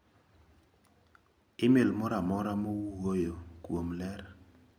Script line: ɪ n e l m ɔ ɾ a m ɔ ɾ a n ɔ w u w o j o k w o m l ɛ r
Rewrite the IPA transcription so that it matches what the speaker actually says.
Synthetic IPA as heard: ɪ m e l m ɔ ɾ a m ɔ ɾ a m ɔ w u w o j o k w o m l ɛ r